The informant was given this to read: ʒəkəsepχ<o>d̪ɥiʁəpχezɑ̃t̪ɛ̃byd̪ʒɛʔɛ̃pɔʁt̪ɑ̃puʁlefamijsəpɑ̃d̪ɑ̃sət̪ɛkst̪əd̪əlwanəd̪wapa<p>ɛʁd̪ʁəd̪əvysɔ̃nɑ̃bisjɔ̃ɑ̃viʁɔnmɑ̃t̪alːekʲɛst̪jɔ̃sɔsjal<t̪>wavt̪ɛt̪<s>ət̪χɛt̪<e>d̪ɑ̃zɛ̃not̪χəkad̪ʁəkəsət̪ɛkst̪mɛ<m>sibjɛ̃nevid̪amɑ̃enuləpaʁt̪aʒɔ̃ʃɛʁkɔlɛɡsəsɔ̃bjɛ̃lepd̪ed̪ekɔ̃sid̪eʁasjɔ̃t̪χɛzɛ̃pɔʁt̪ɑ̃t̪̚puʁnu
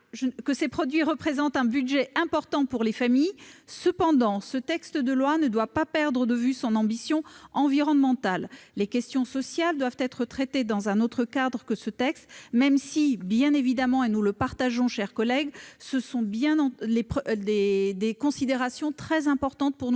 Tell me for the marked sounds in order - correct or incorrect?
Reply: incorrect, correct, incorrect, incorrect, correct, correct

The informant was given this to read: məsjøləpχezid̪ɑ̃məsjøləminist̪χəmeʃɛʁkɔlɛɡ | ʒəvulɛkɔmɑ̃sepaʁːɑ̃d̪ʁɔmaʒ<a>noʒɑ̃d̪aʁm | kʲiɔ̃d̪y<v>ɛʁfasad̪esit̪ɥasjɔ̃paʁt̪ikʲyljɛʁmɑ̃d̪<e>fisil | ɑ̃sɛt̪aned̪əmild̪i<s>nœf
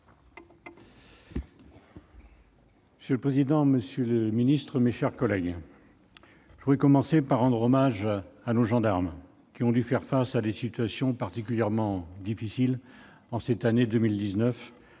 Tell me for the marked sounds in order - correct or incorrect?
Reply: correct, incorrect, incorrect, incorrect

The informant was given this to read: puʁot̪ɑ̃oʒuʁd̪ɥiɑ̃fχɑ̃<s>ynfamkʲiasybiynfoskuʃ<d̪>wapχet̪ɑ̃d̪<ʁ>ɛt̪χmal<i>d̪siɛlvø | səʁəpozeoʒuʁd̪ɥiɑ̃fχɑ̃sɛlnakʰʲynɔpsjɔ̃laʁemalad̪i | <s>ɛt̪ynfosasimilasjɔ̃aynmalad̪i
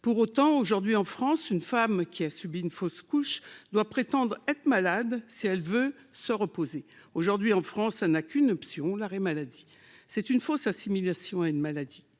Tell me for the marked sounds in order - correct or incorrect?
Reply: correct, correct, correct, incorrect, correct

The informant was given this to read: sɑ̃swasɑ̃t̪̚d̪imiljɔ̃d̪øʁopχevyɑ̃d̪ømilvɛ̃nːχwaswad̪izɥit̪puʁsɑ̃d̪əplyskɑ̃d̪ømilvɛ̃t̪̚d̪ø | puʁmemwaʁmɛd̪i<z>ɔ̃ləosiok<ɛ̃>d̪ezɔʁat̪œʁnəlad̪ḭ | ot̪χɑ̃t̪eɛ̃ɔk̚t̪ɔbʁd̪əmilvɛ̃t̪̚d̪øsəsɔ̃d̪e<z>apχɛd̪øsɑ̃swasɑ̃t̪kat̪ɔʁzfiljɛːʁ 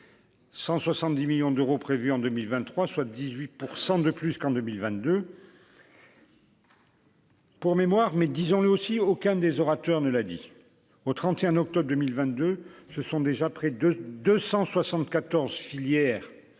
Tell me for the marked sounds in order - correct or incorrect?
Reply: correct, correct, incorrect

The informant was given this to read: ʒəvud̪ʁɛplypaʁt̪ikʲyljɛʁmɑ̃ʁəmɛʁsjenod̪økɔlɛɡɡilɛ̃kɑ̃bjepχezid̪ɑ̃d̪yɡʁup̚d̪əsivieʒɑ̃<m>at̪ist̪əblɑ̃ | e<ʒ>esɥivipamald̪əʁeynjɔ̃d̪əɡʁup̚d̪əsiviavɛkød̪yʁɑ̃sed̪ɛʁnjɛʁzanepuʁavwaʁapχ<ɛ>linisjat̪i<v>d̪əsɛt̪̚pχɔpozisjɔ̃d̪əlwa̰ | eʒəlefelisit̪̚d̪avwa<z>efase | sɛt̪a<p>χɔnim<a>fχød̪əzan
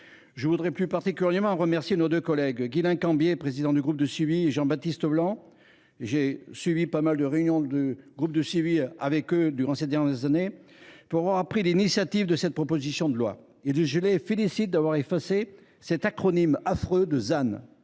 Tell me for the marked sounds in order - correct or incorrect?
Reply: incorrect, correct, incorrect, correct, incorrect, incorrect, correct

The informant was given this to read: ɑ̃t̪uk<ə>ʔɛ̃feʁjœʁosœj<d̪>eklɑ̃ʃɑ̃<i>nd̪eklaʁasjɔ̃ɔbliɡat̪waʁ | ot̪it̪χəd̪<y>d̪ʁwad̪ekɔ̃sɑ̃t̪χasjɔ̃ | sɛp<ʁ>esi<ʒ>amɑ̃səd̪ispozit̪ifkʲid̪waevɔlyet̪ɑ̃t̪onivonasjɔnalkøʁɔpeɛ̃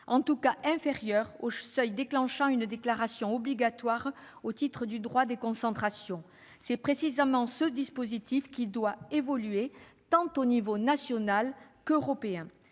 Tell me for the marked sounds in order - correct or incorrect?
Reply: incorrect, correct, incorrect, correct, incorrect, incorrect

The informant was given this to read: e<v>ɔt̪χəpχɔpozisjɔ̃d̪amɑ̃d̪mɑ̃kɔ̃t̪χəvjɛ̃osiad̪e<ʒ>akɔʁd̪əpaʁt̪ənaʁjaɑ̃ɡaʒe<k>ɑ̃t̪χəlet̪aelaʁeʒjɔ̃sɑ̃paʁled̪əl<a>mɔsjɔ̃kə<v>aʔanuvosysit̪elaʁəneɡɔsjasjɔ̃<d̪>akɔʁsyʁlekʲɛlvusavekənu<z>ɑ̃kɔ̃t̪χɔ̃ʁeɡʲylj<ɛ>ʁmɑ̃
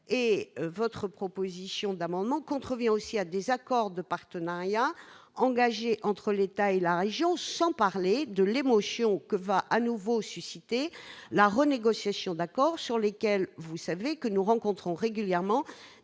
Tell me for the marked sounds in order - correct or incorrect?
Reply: correct, incorrect, incorrect, incorrect, correct, correct, incorrect, correct

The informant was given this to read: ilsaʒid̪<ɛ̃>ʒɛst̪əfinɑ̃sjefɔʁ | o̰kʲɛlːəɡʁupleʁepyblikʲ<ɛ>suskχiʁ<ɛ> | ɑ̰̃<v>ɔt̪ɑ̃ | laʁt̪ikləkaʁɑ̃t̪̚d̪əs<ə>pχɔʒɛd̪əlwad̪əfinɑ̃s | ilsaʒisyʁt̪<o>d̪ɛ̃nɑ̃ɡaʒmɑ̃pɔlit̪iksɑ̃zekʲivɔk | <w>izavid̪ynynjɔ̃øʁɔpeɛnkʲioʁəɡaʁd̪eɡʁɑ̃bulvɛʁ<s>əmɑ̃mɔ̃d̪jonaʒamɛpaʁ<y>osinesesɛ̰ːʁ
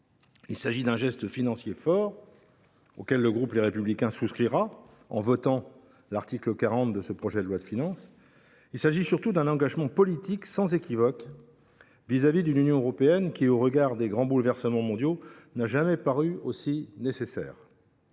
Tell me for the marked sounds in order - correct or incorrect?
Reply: correct, incorrect, incorrect, correct, correct, incorrect, incorrect, correct, correct

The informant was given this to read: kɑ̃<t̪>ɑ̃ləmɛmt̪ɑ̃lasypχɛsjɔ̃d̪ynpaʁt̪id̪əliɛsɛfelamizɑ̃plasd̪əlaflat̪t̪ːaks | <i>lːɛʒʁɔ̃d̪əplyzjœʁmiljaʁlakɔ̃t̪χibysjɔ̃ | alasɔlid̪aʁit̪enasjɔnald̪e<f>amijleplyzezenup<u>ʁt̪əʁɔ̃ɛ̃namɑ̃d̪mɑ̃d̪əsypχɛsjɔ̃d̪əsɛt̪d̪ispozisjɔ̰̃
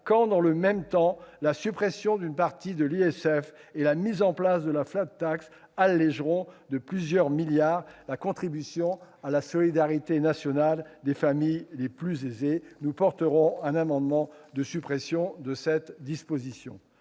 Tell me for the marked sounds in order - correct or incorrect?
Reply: incorrect, incorrect, correct, incorrect

